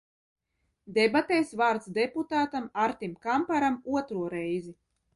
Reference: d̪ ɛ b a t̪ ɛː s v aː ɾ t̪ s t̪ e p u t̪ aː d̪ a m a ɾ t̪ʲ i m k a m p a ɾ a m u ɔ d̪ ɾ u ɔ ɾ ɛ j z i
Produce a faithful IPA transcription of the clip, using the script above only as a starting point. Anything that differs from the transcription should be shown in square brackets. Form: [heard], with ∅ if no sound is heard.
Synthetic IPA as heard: d̪ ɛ b a t̪ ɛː s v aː ɾ t̪ s [d̪] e p u t̪ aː [t̪] a m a ɾ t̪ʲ i m k a m p a ɾ a m u ɔ [t̪] ɾ u ɔ ɾ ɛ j z i